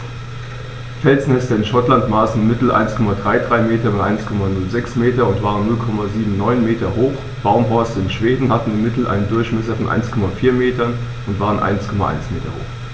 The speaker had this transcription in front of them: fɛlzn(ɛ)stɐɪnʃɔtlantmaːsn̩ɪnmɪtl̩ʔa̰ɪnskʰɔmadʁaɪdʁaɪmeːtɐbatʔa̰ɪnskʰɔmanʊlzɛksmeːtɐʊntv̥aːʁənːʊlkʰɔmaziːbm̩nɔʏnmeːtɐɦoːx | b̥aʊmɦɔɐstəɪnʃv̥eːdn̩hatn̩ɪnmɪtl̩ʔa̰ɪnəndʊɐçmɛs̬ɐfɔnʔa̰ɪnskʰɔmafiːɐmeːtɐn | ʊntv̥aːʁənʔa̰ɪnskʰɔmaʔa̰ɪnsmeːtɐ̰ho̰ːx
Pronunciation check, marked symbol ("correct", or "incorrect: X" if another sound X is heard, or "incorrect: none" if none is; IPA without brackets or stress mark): correct